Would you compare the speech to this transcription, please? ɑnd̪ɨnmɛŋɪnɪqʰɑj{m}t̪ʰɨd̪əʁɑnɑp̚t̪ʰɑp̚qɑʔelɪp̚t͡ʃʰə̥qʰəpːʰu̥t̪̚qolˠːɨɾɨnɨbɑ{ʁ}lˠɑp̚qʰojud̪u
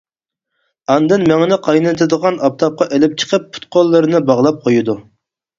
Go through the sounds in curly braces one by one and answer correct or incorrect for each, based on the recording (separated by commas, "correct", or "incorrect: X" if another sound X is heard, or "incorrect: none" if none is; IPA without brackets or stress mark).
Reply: incorrect: n, correct